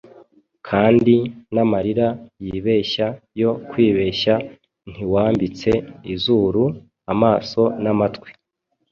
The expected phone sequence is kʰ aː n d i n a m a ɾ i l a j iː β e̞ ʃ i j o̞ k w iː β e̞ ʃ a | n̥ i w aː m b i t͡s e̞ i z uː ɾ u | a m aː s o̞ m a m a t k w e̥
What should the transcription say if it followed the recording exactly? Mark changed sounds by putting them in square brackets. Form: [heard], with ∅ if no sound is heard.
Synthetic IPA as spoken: kʰ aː n d i n a m a ɾ i [ɾ] a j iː β e̞ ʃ [a] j o̞ k w iː β e̞ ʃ a | n̥ i w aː m b i t͡s e̞ i z uː ɾ u | a m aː s o̞ [n] a m a t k w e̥